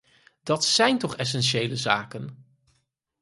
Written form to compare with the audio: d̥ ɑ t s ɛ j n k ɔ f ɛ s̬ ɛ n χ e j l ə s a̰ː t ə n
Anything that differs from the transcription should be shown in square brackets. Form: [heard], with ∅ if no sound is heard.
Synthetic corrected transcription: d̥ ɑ t s ɛ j n [t] ɔ [χ] ɛ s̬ ɛ n [ʃ] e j l ə [z] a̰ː [k] ə n